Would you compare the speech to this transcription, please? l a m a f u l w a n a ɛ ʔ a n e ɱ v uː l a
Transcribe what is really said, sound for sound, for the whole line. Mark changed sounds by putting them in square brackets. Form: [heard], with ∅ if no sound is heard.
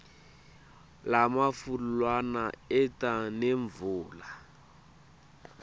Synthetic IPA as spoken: l a m a f u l w a n a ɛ [t] a n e ɱ v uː l a

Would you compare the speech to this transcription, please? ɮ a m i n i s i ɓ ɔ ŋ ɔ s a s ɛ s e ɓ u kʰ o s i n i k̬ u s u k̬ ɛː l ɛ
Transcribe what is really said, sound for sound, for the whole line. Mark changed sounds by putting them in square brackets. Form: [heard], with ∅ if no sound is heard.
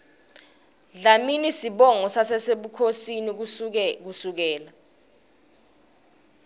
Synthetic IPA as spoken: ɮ a m i n i s i ɓ ɔ ŋ ɔ s a s ɛ s e ɓ u kʰ o s i n i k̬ u s u k̬ ɛː l [a]

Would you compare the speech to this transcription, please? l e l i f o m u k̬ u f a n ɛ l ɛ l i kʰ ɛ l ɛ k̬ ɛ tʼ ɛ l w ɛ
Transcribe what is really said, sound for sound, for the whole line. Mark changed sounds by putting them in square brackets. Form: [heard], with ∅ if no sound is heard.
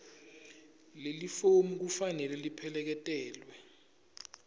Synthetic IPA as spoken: l e l i f o m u k̬ u f a n ɛ l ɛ l i [pʰ] ɛ l ɛ k̬ ɛ tʼ [ɛː] l w ɛ

